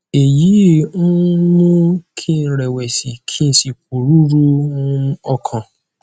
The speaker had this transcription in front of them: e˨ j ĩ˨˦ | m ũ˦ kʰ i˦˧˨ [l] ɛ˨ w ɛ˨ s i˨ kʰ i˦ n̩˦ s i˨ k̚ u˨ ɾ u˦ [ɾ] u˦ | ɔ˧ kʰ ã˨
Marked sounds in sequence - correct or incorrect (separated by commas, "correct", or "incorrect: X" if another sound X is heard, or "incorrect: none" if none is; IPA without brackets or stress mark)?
incorrect: ɾ, correct